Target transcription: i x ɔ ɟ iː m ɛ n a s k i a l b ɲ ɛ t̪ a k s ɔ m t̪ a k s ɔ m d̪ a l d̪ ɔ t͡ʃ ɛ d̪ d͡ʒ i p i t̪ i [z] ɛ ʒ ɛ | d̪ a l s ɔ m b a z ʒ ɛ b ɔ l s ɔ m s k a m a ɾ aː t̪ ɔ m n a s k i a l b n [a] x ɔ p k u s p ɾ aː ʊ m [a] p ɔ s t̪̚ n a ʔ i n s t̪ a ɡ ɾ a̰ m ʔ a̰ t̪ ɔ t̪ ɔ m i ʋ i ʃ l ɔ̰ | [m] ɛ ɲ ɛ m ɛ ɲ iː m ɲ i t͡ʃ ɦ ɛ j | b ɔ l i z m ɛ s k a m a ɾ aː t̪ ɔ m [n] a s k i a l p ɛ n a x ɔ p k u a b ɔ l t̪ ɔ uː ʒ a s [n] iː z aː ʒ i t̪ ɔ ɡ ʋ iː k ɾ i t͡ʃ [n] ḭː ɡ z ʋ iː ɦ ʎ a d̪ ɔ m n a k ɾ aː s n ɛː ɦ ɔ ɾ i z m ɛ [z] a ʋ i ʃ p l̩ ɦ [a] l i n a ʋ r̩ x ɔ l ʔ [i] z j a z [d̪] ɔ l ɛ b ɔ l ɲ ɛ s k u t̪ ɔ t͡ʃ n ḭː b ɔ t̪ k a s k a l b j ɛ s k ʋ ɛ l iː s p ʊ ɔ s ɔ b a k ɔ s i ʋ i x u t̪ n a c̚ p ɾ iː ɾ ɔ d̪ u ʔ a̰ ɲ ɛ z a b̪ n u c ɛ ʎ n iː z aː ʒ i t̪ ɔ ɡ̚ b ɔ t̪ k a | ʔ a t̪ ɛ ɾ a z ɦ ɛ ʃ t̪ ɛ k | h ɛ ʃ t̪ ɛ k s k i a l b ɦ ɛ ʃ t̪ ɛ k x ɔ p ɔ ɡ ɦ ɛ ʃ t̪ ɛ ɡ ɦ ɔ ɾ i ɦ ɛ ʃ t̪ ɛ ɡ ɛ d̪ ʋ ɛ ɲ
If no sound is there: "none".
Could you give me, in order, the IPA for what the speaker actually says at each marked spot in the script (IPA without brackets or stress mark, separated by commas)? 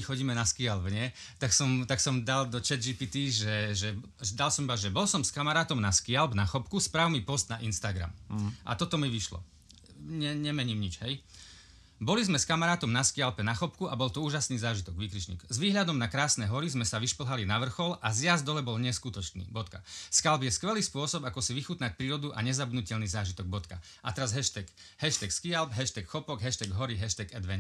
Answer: ʒ, a, i, ɲ, n, n, ɲ, s, a, a, d̪